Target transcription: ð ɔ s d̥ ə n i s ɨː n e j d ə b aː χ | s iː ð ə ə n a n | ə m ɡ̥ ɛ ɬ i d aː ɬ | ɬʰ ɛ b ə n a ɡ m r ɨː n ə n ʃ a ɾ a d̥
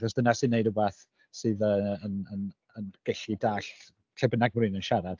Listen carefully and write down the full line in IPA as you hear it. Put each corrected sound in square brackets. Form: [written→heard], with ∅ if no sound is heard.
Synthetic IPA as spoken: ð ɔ s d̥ ə n [i→a] s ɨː n e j d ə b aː [χ→θ] | s [iː→ɨː] ð ə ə n [a→ə] n | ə [m→n] ɡ̥ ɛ ɬ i d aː ɬ | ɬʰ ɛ b ə n a ɡ m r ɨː n ə n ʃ a ɾ a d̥